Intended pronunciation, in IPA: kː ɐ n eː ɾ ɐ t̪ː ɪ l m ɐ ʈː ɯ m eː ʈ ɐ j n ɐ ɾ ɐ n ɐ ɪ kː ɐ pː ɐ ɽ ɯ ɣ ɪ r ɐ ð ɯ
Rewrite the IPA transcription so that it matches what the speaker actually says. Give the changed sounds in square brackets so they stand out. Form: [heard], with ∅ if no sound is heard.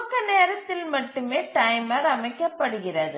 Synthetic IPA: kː ɐ n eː ɾ ɐ t̪ː ɪ l m ɐ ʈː ɯ m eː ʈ ɐ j [m] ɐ ɾ ɐ [m] ɐ ɪ kː ɐ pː ɐ ɽ ɯ ɣ ɪ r ɐ ð ɯ